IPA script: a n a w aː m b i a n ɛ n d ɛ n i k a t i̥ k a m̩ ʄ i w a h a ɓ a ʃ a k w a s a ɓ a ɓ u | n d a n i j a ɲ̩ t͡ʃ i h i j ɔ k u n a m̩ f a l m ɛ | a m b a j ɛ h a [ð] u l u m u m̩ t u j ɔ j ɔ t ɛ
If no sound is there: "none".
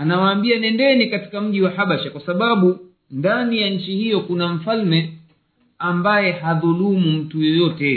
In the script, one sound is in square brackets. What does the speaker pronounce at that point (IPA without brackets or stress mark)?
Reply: ð